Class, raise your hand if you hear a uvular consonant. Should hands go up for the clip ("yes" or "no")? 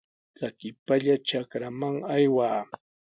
no